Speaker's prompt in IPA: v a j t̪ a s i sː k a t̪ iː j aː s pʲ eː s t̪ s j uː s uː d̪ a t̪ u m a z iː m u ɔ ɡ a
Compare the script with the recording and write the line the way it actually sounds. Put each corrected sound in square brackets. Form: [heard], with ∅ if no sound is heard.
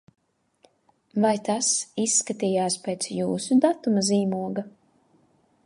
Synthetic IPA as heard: v a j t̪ a s i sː k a t̪ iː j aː s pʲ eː [∅] t̪ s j uː s [u] d̪ a t̪ u m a z iː m u ɔ ɡ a